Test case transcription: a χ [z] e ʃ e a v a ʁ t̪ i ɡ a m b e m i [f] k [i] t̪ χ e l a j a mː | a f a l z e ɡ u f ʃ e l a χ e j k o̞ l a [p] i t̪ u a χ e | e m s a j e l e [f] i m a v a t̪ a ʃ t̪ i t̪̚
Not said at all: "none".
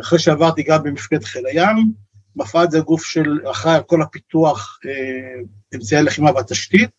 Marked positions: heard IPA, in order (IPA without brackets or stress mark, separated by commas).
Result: ʁ, f, e, p, χ